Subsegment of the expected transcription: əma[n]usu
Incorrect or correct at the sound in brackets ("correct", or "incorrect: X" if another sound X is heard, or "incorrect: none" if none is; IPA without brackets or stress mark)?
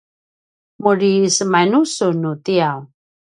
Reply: correct